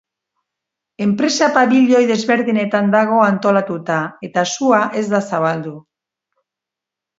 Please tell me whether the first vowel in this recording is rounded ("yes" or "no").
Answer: no